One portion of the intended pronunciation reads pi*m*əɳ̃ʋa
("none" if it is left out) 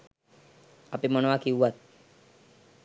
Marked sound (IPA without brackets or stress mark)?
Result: m